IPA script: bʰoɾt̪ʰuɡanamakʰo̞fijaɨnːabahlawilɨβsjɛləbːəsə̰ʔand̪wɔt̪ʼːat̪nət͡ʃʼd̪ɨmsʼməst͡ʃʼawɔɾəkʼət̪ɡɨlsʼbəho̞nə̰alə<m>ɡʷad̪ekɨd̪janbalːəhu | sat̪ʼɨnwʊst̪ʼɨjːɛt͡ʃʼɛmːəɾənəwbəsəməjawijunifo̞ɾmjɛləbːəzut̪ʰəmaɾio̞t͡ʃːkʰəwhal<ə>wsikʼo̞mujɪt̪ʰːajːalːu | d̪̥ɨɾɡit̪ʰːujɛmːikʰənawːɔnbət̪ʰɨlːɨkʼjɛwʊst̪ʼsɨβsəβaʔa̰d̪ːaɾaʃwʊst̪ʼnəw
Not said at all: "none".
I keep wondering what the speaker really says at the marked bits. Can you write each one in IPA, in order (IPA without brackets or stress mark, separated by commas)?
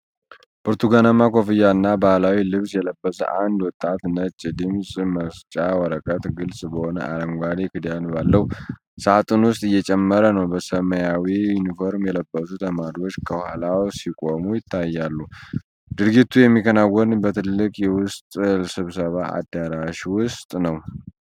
ŋ, a